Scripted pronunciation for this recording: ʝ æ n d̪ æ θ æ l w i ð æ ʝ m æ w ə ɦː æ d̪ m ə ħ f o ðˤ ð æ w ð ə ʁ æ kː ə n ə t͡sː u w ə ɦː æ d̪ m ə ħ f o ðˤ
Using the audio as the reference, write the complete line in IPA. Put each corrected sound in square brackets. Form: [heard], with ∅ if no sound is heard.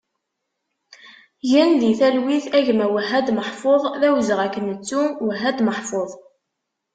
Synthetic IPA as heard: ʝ æ n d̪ [i] θ æ l w i [θ] æ ʝ m æ w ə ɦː æ d̪ m ə ħ f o ðˤ ð æ w [z] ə ʁ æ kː ə n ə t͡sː u w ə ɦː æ d̪ m ə ħ f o ðˤ